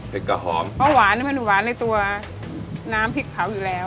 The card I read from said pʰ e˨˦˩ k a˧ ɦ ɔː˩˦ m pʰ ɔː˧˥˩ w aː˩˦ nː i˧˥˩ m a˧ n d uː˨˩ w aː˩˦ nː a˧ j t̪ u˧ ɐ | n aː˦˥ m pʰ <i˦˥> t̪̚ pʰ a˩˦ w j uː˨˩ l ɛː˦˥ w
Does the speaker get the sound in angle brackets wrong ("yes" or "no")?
no